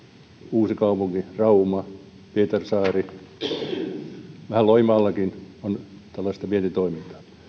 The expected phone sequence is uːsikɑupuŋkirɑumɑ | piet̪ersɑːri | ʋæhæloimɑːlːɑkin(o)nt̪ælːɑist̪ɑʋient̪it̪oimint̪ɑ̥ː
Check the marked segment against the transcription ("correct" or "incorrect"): correct